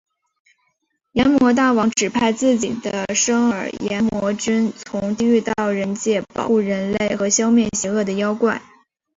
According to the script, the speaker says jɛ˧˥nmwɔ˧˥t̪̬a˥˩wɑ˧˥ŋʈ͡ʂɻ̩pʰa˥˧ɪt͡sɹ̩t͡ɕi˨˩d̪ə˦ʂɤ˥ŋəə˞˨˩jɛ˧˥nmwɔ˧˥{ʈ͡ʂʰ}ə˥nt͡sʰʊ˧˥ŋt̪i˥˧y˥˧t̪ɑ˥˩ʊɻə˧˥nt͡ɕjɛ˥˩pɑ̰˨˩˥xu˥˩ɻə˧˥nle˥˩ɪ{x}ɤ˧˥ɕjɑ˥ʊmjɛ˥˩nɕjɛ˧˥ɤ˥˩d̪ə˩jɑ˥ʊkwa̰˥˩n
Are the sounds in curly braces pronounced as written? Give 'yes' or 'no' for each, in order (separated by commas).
no, yes